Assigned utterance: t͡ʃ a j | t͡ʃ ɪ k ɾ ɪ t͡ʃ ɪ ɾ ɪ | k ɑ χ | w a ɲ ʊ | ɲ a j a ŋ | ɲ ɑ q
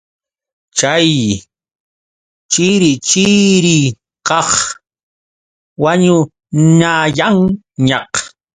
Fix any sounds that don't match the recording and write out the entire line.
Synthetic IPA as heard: t͡ʃ a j | t͡ʃ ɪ ɾ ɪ t͡ʃ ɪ ɾ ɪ | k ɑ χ | w a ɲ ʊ | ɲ a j a ŋ | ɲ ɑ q